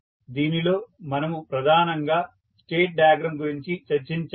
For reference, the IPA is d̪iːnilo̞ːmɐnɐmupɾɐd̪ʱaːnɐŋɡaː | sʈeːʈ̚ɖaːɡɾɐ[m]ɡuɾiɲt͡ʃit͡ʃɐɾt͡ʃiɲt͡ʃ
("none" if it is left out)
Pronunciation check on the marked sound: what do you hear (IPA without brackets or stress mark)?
m